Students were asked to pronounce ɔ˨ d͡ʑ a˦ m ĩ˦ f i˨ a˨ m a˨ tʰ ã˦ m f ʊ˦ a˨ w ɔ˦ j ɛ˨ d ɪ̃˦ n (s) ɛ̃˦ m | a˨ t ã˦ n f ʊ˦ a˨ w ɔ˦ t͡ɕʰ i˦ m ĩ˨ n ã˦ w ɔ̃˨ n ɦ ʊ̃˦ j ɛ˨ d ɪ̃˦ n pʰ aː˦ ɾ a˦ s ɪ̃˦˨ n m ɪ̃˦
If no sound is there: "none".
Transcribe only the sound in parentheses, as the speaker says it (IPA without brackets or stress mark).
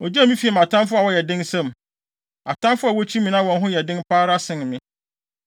s